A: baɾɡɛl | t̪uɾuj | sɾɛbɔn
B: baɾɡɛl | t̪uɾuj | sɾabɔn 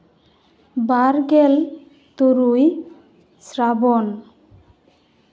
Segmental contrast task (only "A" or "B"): B